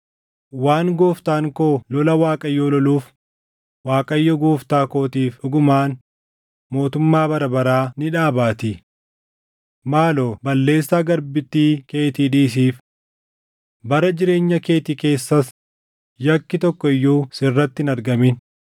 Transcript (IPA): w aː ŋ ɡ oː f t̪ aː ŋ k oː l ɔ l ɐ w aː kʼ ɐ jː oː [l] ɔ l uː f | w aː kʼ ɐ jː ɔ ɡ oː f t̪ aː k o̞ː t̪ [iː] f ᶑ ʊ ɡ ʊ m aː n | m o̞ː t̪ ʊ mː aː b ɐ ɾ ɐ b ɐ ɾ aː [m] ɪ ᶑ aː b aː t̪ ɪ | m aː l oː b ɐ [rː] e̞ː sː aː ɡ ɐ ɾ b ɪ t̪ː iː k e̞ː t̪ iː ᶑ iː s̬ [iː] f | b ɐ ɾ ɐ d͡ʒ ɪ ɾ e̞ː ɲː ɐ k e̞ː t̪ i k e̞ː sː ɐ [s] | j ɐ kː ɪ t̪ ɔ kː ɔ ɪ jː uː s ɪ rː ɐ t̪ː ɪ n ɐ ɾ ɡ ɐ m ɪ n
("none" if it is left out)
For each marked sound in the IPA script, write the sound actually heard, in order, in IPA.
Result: l, iː, n, lː, iː, s

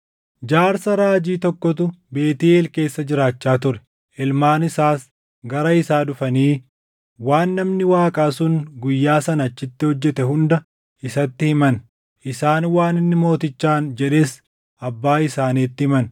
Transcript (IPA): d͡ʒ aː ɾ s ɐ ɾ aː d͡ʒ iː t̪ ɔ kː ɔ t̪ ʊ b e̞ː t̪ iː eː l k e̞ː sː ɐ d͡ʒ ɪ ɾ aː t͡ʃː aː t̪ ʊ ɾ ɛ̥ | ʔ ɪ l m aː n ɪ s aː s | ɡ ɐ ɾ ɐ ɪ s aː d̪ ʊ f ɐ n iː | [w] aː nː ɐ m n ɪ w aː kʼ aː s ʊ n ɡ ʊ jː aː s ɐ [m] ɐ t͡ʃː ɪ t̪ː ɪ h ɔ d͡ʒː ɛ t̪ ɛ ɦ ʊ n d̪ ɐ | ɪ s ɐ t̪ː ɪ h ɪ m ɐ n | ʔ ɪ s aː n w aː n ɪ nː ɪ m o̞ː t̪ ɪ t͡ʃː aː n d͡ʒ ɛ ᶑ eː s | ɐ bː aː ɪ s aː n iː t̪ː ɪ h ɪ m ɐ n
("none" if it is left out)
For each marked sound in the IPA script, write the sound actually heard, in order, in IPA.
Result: w, n

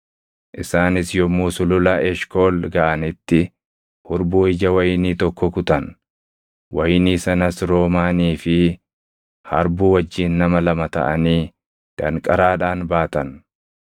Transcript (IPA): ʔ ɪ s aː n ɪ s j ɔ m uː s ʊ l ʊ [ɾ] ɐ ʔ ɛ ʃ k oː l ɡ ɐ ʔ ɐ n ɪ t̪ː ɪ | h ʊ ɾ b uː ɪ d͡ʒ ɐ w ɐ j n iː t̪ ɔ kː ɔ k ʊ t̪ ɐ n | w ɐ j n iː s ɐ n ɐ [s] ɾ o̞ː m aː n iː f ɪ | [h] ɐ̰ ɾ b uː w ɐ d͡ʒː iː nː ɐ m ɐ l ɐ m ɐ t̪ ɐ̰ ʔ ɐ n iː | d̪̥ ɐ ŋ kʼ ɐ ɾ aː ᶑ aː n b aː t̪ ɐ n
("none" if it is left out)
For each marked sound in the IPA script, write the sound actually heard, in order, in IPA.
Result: l, s, h

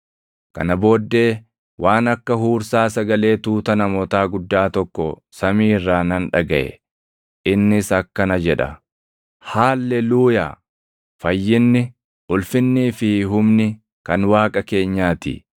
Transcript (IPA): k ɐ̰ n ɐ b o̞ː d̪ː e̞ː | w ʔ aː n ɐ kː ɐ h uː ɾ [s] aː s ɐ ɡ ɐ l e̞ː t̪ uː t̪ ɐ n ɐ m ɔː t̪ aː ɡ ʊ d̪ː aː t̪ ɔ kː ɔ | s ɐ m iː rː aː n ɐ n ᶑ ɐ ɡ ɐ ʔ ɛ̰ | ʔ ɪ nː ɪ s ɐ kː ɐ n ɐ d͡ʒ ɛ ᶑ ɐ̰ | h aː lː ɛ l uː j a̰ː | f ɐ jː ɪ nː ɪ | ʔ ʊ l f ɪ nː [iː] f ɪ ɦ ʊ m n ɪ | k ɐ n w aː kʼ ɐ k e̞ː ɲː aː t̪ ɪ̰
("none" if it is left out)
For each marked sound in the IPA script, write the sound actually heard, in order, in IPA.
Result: s, iː

